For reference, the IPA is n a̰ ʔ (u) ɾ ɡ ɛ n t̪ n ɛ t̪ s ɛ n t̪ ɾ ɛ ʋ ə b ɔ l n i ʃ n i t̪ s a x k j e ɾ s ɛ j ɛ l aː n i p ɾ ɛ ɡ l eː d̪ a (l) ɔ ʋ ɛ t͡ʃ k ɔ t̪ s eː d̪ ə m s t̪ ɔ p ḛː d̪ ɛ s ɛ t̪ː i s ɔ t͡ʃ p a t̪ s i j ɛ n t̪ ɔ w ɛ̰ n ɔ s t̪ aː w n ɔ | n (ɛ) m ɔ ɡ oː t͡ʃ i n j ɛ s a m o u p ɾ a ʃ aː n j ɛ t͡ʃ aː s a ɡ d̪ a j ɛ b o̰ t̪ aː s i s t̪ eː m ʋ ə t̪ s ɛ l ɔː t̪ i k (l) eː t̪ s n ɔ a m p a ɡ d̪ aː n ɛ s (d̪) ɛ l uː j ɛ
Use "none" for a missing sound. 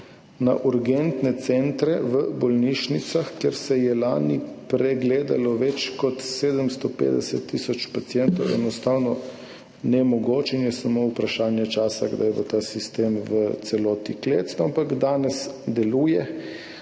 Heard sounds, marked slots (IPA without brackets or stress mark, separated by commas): u, l, ɛ, l, d̪